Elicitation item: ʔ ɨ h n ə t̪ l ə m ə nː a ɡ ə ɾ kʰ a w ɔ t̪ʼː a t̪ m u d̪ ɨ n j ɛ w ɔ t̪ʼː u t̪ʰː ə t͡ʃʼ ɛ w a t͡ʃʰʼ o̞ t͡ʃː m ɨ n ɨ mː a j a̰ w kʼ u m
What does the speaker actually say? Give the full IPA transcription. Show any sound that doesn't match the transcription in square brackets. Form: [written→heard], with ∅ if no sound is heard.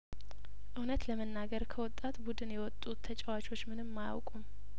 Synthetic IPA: ʔ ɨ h n ə t̪ l ə m ə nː a ɡ ə ɾ kʰ [a→ə] w ɔ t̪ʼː a t̪ [m→b] u d̪ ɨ n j ɛ w ɔ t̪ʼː u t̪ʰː ə t͡ʃʼ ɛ w a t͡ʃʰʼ o̞ t͡ʃː m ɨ n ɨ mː a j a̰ w kʼ u m